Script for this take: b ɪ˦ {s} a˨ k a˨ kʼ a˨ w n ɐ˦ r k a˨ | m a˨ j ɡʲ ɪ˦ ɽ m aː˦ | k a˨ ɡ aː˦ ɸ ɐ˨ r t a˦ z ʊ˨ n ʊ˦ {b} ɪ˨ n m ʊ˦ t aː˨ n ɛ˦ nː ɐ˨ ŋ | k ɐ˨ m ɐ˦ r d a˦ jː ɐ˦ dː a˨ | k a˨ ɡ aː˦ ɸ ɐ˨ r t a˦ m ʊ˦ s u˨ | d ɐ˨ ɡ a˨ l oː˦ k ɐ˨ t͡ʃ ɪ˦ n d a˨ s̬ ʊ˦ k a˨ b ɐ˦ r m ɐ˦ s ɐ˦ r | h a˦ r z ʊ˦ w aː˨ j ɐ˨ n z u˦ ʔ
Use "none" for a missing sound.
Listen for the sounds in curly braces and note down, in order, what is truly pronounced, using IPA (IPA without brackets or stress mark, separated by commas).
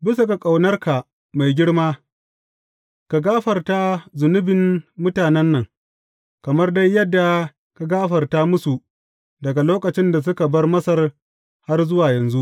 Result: s, b